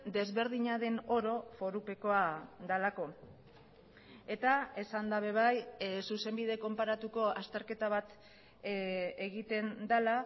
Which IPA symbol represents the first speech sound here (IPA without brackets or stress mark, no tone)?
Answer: d̪